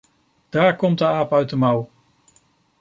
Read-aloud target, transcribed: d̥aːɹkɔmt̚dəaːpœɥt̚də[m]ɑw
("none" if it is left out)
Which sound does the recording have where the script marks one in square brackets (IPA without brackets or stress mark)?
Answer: m